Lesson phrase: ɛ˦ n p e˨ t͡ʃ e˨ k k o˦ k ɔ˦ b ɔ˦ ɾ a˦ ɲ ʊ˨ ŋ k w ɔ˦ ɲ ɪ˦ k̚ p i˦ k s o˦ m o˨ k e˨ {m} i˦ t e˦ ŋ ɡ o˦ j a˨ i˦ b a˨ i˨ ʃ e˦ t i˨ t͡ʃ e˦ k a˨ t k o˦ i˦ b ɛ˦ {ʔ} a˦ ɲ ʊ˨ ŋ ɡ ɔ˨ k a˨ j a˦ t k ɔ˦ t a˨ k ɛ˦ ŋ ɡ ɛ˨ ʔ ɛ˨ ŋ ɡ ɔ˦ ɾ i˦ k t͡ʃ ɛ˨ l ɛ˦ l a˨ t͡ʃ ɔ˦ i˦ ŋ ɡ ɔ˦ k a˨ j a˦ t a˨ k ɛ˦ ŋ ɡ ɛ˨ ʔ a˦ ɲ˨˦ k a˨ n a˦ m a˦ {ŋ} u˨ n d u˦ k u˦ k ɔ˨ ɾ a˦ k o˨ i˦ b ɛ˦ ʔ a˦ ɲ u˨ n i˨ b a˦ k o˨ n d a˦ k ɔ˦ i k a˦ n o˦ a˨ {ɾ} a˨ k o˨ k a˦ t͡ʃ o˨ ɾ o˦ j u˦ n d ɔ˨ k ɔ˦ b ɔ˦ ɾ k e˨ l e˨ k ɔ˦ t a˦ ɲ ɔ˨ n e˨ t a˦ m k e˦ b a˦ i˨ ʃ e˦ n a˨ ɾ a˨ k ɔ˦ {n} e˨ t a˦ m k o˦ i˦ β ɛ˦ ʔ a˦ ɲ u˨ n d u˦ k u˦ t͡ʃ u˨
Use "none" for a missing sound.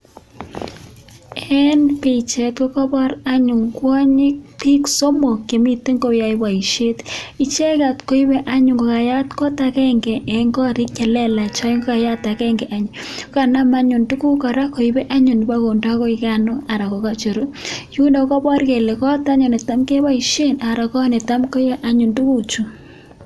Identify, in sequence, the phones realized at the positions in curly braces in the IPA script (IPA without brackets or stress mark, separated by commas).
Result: m, ʔ, ɲ, ɾ, n